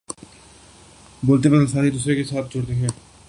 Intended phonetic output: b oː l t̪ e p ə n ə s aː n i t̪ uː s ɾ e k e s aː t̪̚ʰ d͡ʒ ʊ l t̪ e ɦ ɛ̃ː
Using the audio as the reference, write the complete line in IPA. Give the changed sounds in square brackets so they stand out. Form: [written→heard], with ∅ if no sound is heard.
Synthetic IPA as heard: b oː l t̪ e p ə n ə s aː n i [t̪→d̪] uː s ɾ e k e s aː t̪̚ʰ d͡ʒ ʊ [l→ɽ] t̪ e ɦ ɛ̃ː